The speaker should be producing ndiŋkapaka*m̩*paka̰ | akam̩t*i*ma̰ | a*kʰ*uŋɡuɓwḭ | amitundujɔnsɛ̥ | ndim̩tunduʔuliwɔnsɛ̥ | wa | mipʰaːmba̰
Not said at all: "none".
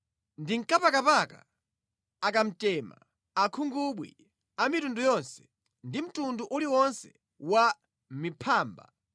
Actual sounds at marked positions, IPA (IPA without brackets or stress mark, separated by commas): none, ɛ, kʰ